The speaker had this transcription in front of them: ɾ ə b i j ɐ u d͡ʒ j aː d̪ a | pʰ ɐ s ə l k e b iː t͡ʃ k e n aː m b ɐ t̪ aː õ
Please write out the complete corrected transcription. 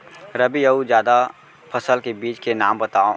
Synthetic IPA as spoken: ɾ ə b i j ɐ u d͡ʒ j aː d̪ a | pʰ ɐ s ə l k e b iː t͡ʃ k e n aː m b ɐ t̪ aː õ

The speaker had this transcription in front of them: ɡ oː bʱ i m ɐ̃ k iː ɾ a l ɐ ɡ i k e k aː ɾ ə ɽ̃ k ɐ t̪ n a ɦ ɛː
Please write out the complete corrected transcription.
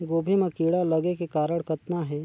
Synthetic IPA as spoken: ɡ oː bʱ i m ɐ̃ k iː ɽ a l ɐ ɡ e k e k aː ɾ ə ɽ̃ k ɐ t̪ n a ɦ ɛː

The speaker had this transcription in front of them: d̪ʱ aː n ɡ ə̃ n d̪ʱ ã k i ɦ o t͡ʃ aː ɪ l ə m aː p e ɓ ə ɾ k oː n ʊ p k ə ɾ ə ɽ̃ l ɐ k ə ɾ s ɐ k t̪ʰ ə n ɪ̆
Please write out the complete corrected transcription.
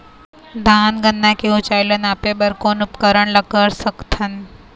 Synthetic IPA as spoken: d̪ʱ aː n ɡ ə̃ n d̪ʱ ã k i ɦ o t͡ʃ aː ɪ l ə n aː p e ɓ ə ɾ k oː n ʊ p k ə ɾ ə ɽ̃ l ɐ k ə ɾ s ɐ k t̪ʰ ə n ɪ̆

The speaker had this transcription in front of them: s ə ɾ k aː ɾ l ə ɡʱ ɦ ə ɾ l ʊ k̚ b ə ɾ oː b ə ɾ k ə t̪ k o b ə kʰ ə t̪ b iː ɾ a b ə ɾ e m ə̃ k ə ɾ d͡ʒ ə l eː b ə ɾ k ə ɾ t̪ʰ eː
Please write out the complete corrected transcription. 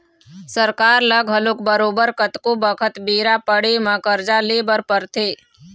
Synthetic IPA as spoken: s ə ɾ k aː ɾ l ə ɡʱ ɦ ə l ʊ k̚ b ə ɾ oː b ə ɾ k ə t̪ k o b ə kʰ ə t̪ b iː ɾ a p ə ɽ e m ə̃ k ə ɾ d͡ʒ a l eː b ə ɾ p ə ɾ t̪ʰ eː

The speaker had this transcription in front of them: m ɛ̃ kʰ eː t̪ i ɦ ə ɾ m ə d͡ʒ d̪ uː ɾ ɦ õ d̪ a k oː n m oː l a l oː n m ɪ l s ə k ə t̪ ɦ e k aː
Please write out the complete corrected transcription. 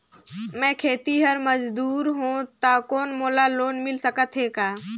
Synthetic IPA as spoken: m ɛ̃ kʰ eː t̪ i ɦ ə ɾ m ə d͡ʒ d̪ uː ɾ ɦ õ t̪ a k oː n m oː l a l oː n m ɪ l s ə k ə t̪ ɦ e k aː

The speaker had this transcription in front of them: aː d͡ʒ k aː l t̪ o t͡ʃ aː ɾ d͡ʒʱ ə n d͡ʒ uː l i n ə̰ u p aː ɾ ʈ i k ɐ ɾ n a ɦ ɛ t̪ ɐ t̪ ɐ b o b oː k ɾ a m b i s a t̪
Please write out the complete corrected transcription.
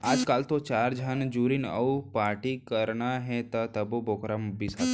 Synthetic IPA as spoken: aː d͡ʒ k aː l t̪ o t͡ʃ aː ɾ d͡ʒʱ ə n d͡ʒ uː ɾ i n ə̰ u p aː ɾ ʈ i k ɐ ɾ n a ɦ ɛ t̪ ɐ t̪ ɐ b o b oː k ɾ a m b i s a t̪

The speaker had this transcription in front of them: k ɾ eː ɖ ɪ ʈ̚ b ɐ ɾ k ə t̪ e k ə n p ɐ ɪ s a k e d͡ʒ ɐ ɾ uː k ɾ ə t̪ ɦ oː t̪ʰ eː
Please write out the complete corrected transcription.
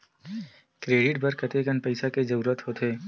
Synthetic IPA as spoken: k ɾ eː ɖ ɪ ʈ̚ b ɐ ɾ k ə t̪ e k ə n p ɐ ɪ s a k e d͡ʒ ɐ ɾ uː ɾ ə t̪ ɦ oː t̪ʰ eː

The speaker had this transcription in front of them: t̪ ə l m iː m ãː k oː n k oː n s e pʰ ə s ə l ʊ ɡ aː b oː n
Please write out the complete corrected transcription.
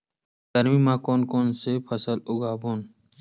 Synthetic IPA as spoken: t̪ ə ɾ m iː m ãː k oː n k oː n s e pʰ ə s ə l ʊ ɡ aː b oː n

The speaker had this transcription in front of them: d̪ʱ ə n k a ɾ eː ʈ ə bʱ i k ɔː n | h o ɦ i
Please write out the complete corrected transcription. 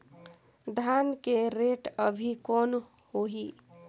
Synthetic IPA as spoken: d̪ʱ a n k e ɾ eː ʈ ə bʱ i k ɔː n | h o ɦ i

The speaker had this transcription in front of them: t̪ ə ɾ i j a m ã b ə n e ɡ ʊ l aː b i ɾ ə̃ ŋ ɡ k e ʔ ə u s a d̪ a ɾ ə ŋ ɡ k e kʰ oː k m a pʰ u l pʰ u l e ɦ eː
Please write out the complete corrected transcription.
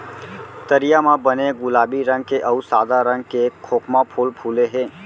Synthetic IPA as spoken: t̪ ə ɾ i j a m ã b ə n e ɡ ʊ l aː b i ɾ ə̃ ŋ ɡ k e ʔ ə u s a d̪ a ɾ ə ŋ ɡ k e kʰ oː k m a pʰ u l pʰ u l e ɦ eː

